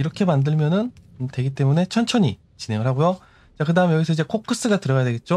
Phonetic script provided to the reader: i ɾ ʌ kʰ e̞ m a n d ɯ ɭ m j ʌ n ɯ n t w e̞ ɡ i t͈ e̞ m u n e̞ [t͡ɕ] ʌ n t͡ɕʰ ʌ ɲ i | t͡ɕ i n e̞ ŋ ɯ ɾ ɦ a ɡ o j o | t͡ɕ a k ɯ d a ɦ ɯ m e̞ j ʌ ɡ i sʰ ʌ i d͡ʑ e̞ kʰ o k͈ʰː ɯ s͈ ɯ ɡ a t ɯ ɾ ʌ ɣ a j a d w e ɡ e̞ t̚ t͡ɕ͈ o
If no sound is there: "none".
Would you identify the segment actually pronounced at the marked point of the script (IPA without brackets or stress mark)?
t͡ɕʰ